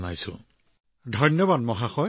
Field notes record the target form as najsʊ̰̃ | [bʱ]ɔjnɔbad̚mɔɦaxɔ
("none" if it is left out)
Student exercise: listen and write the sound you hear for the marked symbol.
dʱ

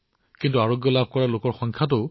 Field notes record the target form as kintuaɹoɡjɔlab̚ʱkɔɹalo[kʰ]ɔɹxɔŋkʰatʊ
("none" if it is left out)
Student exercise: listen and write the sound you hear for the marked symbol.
k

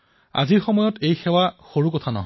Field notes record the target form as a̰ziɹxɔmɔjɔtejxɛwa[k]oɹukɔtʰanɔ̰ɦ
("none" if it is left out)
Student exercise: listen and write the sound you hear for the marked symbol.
x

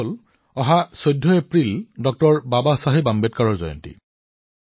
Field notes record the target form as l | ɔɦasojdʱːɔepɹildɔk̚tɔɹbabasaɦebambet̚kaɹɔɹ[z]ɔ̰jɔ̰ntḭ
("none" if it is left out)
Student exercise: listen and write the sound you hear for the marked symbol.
z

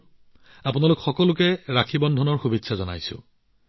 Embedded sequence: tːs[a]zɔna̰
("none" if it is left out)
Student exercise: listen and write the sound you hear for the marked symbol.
a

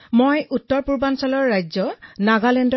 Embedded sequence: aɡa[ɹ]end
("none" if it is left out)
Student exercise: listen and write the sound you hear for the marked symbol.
l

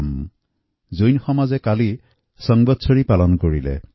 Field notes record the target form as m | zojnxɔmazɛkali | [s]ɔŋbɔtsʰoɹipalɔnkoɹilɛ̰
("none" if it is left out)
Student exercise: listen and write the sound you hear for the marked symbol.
s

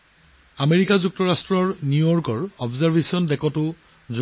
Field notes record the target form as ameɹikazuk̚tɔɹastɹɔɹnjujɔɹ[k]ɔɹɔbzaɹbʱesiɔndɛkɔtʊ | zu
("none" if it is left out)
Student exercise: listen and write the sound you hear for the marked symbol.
k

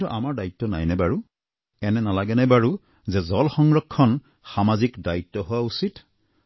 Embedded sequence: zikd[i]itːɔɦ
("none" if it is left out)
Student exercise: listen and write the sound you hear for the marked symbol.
a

